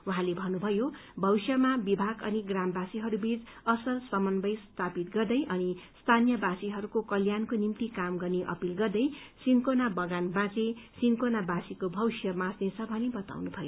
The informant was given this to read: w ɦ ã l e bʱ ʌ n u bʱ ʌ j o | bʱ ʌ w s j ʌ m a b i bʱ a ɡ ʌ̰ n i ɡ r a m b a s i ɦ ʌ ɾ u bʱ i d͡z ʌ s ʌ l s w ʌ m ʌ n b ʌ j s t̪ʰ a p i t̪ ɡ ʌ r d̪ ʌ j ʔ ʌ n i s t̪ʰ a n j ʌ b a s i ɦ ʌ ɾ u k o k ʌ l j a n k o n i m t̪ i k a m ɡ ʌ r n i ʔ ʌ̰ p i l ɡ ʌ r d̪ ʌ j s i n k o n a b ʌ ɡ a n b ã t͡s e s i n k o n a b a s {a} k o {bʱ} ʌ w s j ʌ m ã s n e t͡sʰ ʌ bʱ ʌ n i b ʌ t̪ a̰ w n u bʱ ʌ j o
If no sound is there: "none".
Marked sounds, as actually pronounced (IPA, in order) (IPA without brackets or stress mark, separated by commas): i, bʱ